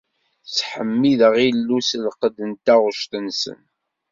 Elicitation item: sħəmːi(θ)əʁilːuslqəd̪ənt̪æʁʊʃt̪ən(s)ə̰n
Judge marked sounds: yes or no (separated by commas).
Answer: no, yes